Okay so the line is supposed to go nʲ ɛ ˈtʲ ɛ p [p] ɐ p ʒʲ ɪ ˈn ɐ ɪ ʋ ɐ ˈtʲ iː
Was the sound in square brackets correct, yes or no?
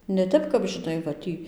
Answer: no